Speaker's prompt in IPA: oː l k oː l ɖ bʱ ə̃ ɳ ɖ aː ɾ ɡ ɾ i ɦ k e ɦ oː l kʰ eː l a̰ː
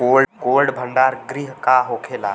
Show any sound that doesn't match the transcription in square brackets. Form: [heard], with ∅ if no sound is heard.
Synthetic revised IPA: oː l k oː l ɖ bʱ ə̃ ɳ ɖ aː ɾ ɡ ɾ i ɦ k [a] ɦ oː [∅] kʰ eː l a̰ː